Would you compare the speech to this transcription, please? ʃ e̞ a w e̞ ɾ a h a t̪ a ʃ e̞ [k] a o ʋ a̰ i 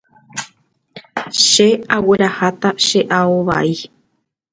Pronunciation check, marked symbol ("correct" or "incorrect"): incorrect